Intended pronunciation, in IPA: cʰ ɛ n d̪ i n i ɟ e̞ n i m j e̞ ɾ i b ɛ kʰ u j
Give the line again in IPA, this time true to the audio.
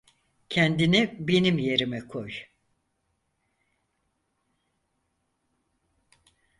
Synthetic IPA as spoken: cʰ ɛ n d̪ i n i b e̞ n i m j e̞ ɾ i m ɛ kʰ o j